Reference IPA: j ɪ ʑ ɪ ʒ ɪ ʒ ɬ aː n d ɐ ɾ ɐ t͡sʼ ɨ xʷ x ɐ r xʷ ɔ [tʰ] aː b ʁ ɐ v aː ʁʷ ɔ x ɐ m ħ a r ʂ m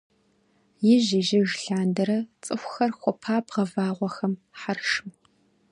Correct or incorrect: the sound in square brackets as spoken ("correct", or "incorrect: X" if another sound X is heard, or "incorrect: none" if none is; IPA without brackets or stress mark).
incorrect: pʰ